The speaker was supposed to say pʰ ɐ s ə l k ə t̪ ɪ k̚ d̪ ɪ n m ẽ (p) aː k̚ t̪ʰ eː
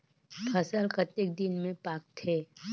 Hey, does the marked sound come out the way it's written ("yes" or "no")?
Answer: yes